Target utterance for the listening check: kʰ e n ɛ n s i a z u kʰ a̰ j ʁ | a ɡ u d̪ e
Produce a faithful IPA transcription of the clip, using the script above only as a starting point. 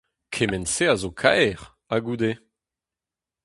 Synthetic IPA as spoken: kʰ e m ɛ n s e a z o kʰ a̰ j ʁ | a ɡ u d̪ e

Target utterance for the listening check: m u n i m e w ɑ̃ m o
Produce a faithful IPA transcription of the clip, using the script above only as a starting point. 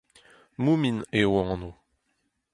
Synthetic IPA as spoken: m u m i n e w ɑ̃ n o

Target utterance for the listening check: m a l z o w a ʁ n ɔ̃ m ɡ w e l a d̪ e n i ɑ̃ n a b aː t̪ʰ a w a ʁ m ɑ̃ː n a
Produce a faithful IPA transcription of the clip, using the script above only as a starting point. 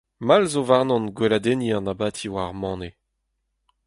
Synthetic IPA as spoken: m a l z o v a ʁ n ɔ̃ n ɡ w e l a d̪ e n i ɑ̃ n a b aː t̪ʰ i w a ʁ m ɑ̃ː n e

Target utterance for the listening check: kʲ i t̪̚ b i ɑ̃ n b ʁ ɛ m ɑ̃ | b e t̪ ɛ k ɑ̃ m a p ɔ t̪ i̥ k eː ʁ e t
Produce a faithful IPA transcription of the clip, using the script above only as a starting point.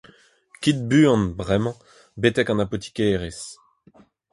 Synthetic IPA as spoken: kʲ i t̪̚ b y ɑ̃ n b ʁ ɛ m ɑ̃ | b e t̪ ɛ k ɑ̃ n a p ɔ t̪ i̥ k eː ʁ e s

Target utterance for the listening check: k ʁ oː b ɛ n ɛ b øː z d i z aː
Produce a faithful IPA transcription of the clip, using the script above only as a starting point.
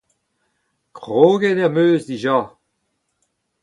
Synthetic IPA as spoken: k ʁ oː ɡ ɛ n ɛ m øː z d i ʒ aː

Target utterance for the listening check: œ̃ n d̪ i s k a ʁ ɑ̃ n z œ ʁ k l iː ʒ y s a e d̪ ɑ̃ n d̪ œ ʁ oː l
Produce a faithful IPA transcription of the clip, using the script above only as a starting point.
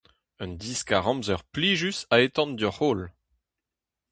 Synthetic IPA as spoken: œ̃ n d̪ i s k a ʁ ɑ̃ m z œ ʁ p l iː ʒ y s a e t̪ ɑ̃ n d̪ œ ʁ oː l

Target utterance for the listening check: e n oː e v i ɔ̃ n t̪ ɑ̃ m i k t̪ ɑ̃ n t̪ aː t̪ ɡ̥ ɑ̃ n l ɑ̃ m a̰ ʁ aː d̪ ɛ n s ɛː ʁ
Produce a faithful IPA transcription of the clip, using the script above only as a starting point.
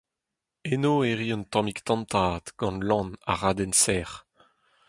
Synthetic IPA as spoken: e n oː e ʁ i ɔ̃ n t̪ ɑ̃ m i k t̪ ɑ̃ n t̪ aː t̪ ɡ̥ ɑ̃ n l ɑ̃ n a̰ ʁ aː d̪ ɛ n s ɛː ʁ

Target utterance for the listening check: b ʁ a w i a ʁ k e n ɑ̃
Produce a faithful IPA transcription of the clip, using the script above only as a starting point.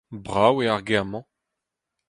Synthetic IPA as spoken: b ʁ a w e a ʁ ɡ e m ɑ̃

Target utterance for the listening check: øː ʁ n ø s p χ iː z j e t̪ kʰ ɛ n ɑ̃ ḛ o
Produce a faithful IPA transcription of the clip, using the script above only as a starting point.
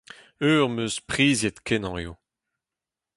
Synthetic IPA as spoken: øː ʁ m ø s p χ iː z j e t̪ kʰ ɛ n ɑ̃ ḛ o

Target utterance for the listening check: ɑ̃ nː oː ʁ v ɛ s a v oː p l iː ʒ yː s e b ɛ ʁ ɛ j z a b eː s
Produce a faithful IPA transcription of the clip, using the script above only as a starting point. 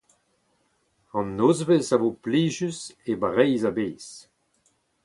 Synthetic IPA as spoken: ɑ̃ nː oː z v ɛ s a v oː p l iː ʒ y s e b a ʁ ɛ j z a b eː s

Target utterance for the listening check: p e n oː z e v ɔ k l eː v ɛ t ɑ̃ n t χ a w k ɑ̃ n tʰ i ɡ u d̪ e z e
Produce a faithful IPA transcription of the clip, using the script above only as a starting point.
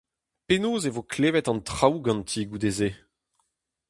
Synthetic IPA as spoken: p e n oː z e v o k l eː v ɛ t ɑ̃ n t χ a w ɡ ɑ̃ n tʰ i ɡ u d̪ e z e

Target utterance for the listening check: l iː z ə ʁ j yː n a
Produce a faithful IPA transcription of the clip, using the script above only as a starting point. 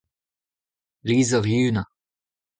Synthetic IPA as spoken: l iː z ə ʁ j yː n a

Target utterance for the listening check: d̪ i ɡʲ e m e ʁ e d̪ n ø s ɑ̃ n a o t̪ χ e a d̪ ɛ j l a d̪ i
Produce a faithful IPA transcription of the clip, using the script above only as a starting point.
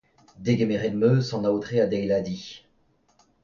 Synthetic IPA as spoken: d̪ e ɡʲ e m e ʁ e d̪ m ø s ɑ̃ n a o t̪ χ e a d̪ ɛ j l a d̪ i

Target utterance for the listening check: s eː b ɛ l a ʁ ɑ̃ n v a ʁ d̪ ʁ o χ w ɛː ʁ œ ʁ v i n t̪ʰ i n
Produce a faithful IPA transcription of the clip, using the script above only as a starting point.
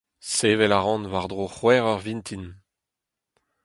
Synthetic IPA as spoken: s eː v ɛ l a ʁ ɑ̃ n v a ʁ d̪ ʁ o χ w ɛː ʁ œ ʁ v i n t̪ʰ i n

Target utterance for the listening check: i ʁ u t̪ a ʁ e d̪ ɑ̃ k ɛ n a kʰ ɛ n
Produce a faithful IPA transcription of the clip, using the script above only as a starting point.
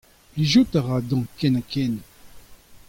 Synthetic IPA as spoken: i ʒ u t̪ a ʁ a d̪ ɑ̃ k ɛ n a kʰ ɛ n

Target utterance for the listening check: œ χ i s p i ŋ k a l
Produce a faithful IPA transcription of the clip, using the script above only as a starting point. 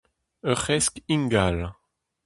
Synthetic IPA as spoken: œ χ ɛ s k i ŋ ɡ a l

